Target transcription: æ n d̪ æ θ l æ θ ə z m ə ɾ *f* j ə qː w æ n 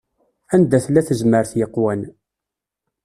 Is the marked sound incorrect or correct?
incorrect: θ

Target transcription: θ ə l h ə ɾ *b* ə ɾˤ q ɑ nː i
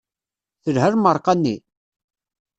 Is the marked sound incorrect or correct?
incorrect: m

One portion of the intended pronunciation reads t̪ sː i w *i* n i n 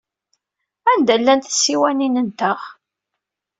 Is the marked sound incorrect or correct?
incorrect: æ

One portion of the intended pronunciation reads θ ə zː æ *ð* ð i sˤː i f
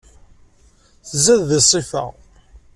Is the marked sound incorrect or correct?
correct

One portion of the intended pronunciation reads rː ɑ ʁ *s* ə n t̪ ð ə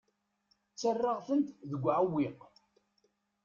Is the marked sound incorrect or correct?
incorrect: θ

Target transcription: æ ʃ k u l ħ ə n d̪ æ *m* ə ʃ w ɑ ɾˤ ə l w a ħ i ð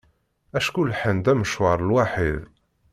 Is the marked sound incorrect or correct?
correct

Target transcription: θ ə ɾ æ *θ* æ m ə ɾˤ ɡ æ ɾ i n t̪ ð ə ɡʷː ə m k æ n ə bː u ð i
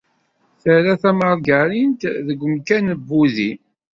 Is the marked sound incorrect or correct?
correct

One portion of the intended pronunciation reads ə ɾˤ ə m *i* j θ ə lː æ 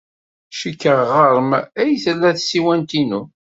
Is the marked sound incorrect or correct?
incorrect: æ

